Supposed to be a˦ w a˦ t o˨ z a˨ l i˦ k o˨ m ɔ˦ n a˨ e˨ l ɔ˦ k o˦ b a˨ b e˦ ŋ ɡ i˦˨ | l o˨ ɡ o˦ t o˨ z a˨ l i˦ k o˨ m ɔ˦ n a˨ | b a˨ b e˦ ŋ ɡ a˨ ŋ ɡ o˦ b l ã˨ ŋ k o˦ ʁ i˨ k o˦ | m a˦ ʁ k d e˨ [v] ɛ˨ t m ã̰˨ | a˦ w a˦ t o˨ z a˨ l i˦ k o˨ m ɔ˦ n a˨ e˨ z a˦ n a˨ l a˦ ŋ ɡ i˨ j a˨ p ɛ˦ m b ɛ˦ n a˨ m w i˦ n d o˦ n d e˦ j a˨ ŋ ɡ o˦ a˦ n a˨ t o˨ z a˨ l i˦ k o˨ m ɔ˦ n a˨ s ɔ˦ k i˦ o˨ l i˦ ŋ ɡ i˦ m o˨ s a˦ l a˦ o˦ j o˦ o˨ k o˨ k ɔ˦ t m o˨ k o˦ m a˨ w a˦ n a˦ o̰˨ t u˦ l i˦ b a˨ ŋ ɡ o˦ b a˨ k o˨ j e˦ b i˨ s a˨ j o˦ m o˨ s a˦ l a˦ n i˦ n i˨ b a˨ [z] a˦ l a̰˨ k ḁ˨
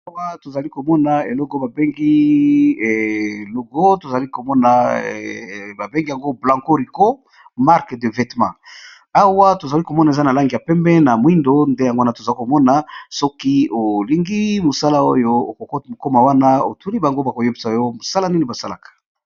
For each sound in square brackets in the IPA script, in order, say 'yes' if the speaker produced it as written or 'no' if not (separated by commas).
yes, no